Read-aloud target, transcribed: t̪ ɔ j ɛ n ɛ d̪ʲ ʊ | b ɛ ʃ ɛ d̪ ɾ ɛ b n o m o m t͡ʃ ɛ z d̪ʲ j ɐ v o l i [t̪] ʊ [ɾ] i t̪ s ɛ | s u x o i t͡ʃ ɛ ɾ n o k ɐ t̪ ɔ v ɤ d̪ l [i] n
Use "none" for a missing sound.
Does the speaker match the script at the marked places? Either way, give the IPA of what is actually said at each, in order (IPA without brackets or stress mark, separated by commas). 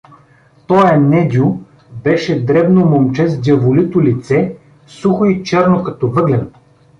t̪, l, ɛ